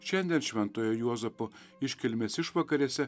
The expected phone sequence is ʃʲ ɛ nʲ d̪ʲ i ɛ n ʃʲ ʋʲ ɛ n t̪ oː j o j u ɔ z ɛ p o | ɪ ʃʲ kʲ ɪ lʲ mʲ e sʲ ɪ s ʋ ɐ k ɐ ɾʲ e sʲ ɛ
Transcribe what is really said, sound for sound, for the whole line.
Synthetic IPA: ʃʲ ɛ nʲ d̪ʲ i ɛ n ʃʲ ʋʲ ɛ n t̪ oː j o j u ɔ z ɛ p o | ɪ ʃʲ kʲ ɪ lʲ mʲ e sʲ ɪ ʃ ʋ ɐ k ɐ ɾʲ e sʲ ɛ